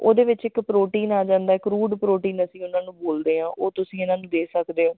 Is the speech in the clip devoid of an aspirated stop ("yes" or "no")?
yes